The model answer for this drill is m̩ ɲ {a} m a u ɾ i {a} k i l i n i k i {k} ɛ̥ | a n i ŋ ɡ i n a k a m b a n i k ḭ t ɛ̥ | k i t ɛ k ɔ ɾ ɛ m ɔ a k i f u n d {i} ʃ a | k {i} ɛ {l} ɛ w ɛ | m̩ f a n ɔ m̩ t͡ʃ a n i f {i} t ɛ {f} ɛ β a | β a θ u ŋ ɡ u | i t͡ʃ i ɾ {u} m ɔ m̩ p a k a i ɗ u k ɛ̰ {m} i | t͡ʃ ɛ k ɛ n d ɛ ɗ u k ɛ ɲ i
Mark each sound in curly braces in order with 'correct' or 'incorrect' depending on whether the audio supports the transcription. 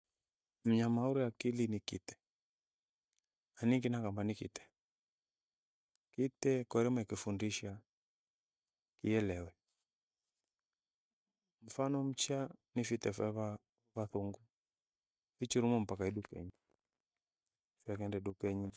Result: correct, correct, incorrect, correct, correct, correct, correct, correct, correct, incorrect

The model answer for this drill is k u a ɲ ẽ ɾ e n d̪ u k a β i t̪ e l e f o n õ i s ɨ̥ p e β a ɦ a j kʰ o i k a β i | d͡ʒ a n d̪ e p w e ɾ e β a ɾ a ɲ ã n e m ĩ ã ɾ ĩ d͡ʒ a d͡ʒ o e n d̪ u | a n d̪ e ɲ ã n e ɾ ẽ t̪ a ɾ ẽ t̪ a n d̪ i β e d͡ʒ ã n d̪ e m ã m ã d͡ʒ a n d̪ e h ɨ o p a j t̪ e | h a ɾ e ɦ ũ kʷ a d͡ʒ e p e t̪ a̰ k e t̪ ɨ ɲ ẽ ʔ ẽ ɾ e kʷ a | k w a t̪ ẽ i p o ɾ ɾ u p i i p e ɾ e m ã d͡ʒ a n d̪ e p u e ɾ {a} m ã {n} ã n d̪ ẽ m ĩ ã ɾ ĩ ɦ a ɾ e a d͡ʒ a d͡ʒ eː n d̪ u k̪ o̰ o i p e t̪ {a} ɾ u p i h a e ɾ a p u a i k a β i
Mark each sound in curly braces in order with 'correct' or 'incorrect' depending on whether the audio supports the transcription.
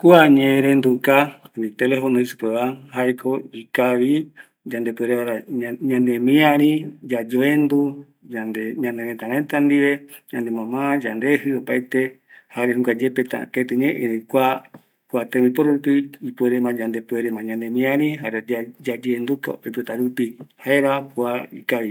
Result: incorrect, incorrect, correct

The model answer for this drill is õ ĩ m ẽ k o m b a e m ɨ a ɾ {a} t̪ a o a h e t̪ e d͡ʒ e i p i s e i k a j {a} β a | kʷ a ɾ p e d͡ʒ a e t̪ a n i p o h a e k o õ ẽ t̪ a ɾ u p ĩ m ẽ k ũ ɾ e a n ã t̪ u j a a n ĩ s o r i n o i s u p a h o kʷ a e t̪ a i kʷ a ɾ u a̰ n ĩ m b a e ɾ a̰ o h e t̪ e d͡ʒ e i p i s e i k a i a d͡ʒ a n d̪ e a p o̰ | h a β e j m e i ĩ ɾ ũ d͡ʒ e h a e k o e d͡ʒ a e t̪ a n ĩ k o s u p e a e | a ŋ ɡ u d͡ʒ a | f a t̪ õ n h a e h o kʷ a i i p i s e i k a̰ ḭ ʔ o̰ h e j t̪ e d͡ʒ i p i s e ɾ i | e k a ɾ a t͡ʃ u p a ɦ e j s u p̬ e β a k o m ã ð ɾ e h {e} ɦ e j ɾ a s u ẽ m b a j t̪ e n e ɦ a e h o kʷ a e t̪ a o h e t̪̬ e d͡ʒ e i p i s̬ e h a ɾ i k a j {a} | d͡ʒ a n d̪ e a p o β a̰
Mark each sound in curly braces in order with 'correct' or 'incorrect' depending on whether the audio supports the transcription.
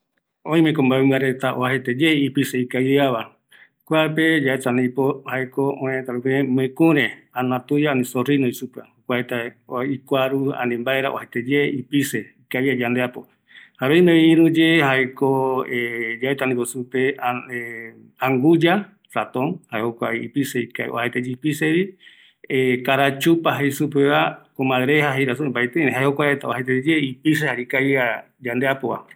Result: incorrect, correct, incorrect, correct

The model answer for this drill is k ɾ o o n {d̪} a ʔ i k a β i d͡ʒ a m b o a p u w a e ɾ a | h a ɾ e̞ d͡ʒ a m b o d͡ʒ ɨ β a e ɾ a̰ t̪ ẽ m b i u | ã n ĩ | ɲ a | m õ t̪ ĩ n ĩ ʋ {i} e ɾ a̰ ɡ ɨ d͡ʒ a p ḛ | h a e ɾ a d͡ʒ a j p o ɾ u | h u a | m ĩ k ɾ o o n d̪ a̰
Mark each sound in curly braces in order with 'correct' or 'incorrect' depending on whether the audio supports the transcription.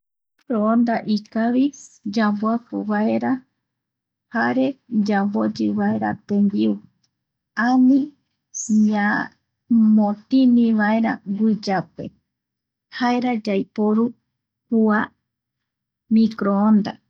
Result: correct, incorrect

